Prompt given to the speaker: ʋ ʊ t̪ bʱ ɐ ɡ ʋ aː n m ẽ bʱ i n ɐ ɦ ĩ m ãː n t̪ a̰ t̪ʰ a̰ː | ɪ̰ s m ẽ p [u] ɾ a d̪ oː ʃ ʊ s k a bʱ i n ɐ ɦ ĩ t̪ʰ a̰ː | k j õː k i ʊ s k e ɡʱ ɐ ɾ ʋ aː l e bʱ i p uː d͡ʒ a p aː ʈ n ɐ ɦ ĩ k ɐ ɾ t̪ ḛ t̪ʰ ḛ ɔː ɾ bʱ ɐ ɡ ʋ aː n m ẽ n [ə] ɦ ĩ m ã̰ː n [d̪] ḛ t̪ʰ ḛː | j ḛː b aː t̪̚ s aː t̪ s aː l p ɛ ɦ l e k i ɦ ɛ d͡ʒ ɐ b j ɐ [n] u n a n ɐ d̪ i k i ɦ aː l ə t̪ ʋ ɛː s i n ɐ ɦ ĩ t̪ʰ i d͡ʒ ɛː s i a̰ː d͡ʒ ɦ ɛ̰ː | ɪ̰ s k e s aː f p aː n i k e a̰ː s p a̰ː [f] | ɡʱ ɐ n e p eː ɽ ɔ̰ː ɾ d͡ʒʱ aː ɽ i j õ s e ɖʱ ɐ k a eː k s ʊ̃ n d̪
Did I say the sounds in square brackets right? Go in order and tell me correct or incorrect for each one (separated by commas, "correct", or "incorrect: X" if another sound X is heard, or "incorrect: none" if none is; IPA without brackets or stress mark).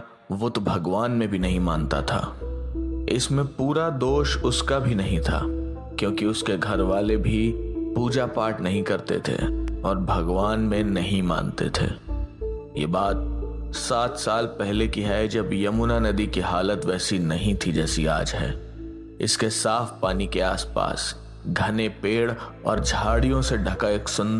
incorrect: uː, incorrect: ɐ, incorrect: t̪, incorrect: m, incorrect: s